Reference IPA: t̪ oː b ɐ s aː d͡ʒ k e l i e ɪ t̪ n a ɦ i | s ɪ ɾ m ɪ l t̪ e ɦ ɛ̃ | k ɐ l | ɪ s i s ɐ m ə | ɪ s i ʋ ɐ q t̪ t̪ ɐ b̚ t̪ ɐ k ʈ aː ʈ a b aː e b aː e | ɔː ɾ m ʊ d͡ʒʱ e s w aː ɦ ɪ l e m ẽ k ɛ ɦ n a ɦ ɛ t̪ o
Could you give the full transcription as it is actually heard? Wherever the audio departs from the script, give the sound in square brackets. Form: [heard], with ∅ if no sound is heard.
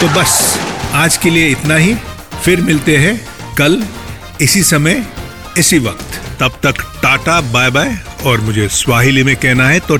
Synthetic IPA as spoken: t̪ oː b ɐ s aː d͡ʒ k e l i e ɪ t̪ n a ɦ i | [f] ɪ ɾ m ɪ l t̪ e ɦ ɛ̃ | k ɐ l | ɪ s i s ɐ m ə | ɪ s i ʋ ɐ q t̪ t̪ ɐ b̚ t̪ ɐ k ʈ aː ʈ a b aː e b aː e | ɔː ɾ m ʊ d͡ʒʱ e s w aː ɦ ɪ l [i] m ẽ k ɛ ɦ n a ɦ ɛ t̪ o